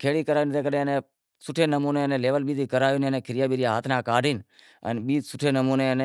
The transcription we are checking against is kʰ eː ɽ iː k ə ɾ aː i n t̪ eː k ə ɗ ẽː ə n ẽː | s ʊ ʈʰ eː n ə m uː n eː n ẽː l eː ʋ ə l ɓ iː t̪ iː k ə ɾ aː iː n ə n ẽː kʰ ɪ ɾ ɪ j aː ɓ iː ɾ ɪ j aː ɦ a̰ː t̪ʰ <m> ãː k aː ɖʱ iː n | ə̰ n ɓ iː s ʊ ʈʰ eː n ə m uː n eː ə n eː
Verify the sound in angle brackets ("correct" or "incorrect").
incorrect